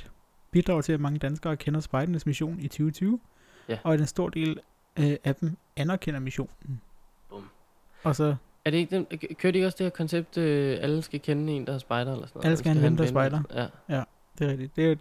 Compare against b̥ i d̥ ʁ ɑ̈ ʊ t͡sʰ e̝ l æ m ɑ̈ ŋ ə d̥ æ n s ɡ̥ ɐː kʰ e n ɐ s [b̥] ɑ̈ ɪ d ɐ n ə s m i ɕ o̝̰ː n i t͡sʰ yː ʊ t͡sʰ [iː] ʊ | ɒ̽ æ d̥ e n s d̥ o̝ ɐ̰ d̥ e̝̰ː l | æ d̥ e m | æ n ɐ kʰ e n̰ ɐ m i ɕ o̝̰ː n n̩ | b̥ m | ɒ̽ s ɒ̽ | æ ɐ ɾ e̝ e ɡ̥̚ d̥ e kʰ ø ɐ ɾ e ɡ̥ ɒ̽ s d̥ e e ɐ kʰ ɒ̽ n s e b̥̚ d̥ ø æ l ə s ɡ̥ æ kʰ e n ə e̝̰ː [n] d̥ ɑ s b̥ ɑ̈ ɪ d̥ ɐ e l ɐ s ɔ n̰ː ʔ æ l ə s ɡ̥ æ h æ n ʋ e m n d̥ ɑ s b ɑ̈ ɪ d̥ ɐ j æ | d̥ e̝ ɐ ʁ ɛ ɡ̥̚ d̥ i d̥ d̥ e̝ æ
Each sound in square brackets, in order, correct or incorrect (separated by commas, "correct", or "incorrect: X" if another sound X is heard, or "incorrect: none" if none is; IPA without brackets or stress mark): correct, incorrect: yː, correct